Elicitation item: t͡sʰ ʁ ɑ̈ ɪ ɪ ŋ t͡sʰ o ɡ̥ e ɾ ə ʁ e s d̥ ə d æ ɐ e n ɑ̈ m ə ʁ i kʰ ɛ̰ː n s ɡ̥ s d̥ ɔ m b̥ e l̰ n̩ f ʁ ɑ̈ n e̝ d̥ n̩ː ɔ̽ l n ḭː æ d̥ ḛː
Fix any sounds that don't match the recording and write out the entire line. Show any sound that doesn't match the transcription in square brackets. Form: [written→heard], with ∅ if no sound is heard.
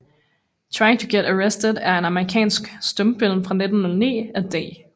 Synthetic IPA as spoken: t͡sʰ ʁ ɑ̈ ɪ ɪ ŋ t͡sʰ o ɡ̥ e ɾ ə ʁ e s d̥ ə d æ ɐ e n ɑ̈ m ə ʁ i kʰ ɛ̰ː n s ɡ̥ s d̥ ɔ m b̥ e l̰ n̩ f ʁ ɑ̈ n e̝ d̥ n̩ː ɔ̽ l n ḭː æ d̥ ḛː